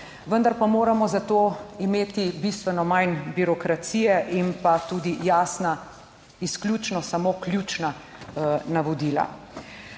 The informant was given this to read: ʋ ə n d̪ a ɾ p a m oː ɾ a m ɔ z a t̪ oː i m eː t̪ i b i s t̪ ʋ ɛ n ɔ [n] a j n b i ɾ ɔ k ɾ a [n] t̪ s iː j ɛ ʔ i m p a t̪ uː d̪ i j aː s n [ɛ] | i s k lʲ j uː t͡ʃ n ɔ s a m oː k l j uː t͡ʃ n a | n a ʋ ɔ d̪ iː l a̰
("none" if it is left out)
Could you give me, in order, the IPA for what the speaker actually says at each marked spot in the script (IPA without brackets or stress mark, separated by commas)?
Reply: m, none, a